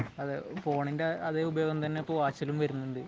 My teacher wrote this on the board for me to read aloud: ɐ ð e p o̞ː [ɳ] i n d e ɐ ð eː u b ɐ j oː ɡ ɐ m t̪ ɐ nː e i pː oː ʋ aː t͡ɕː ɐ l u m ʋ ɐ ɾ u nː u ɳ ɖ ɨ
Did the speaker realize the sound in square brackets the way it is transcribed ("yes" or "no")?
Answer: yes